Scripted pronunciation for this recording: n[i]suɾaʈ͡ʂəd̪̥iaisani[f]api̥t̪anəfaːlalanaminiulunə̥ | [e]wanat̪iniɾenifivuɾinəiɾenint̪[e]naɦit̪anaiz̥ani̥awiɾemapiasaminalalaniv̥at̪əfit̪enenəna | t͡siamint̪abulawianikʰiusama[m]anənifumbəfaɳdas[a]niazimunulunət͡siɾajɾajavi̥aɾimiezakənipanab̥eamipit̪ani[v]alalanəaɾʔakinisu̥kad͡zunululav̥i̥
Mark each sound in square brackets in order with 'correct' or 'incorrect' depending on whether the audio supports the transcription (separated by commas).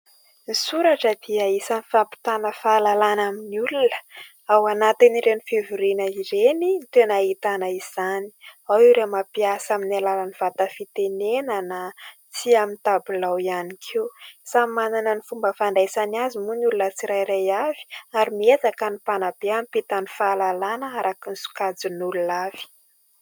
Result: correct, correct, incorrect, correct, incorrect, correct, incorrect